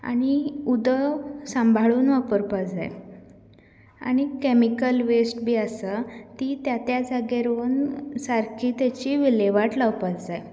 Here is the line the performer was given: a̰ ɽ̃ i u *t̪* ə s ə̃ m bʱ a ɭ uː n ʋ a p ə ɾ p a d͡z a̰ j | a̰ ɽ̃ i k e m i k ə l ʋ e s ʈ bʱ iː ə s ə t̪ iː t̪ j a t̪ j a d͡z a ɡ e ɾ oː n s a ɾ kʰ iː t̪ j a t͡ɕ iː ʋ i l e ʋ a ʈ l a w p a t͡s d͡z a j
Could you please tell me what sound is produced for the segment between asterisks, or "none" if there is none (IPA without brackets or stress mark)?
d̪